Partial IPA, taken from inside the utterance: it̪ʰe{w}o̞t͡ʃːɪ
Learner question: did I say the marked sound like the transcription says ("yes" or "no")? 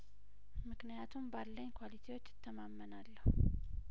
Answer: yes